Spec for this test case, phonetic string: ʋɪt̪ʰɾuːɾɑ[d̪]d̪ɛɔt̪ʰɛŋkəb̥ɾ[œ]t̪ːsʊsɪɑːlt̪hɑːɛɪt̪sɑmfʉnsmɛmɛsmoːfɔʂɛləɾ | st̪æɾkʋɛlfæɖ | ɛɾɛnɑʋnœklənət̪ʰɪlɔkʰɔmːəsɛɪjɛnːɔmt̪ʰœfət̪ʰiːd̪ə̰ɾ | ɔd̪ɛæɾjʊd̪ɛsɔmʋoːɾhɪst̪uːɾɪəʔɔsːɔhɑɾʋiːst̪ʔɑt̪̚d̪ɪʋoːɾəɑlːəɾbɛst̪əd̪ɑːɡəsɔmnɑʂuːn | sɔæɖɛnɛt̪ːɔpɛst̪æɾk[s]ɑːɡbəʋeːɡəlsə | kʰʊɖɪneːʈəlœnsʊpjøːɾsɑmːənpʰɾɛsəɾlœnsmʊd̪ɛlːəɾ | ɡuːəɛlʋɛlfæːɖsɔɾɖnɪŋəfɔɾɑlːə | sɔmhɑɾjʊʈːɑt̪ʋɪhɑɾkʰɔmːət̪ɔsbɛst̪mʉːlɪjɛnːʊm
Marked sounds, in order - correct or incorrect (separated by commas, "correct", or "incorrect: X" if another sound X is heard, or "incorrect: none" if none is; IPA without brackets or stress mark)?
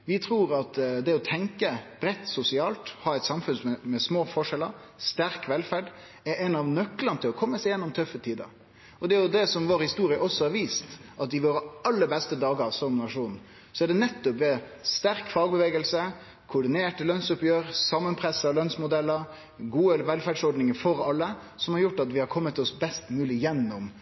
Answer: incorrect: t̪, incorrect: ɛ, incorrect: f